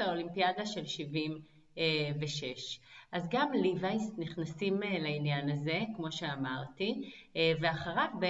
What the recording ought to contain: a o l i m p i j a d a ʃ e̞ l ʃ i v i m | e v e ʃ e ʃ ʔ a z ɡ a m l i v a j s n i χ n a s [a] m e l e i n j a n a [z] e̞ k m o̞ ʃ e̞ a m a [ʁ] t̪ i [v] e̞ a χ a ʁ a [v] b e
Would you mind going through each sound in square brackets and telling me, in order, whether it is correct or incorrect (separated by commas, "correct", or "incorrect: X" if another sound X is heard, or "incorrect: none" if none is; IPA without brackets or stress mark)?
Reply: incorrect: i, correct, correct, correct, correct